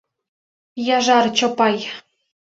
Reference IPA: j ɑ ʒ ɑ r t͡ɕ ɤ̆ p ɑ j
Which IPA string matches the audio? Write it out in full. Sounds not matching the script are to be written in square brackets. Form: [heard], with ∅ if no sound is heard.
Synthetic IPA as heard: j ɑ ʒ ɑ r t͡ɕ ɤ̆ p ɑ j